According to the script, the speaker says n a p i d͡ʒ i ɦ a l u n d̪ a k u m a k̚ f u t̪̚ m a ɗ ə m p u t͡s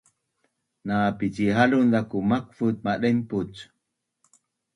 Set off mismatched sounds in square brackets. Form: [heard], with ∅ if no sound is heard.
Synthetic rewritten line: n a p i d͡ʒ i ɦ a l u n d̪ a k u m a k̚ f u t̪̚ m a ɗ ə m p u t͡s

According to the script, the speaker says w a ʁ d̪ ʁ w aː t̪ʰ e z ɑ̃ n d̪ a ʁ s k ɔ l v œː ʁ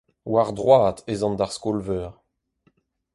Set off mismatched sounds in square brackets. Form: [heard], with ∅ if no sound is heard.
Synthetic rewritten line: w a ʁ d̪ ʁ w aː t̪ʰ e z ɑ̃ n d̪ a ʁ s k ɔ l v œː ʁ

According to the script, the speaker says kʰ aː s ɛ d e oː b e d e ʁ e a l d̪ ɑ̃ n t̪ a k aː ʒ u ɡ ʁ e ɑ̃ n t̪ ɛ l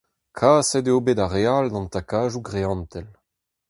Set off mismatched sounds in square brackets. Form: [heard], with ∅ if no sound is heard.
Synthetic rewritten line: kʰ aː s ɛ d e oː b e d [a] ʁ e a l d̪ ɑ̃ n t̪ a k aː ʒ u ɡ ʁ e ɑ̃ n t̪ ɛ l

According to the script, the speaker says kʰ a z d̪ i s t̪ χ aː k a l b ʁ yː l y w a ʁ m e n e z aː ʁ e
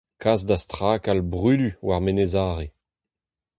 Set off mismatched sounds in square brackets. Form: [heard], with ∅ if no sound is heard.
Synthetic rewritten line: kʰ a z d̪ [a] s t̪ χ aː k a l b ʁ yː l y w a ʁ m e n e z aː ʁ e

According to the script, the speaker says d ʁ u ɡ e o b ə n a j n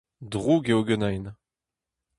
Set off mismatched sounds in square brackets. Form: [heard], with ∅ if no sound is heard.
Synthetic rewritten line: d ʁ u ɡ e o [ɡ] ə n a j n

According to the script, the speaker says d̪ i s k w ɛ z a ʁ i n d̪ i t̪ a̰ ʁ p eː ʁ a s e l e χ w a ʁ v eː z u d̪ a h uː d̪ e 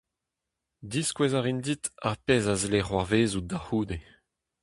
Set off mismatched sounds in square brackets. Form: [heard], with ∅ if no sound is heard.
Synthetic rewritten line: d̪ i s k w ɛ z a ʁ i n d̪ i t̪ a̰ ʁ p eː [z] a [z] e l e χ w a ʁ v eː z u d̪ a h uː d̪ e

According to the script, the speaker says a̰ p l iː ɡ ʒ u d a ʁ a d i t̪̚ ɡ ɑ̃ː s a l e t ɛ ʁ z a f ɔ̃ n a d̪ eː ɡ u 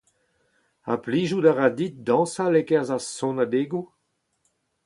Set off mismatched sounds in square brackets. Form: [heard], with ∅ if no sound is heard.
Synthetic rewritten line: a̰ p l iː [∅] ʒ u d a ʁ a d i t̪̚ [d] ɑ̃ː s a l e [k] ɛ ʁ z a [s] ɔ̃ n a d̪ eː ɡ u

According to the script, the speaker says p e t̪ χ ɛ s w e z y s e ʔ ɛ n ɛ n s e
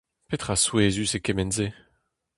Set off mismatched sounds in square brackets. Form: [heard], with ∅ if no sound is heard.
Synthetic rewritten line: p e t̪ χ [a] s w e z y s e [k] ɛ [m] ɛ n [z] e

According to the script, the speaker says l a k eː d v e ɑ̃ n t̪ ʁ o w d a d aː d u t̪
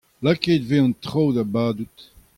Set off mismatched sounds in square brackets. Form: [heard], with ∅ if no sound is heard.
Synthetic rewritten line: l a k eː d v e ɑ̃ n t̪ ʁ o w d a [b] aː d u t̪

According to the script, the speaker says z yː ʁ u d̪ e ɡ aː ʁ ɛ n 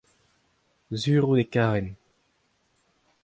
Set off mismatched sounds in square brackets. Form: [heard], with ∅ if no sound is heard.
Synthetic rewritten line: z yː ʁ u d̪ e [k] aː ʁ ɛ n

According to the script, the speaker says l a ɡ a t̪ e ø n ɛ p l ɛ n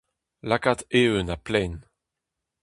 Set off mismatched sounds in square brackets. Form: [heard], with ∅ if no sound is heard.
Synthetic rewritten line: l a [k] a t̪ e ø n [a] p l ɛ n

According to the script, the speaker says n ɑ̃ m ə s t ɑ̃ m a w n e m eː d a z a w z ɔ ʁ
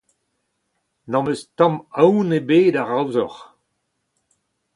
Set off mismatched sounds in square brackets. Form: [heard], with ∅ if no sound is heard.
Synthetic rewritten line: n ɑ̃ m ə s t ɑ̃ m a w n e [b] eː d a [ʁ] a w z ɔ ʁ

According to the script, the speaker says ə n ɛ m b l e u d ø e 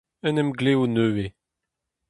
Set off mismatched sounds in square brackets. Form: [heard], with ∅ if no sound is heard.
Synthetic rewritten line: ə n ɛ m [ɡ] l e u [n] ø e

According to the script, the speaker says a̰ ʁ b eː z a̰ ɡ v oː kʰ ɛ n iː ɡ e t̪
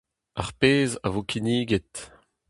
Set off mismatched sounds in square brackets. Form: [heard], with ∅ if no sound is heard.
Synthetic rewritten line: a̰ ʁ [p] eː z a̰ [∅] v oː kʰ [i] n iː ɡ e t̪

